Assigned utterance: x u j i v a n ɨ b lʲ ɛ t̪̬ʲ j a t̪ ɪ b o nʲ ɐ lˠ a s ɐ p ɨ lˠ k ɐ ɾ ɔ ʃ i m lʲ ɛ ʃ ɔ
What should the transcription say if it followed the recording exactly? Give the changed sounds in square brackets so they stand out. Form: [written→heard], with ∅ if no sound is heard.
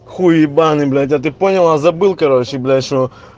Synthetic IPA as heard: x u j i [v→b] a n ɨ b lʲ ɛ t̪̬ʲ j a t̪ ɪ [b→p] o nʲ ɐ lˠ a [s→z] ɐ [p→b] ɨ lˠ k ɐ ɾ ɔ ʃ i [m→b] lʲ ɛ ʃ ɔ